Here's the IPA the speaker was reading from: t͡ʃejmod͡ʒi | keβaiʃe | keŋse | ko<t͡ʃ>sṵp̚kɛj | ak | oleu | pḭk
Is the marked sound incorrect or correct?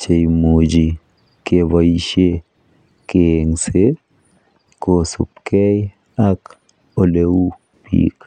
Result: incorrect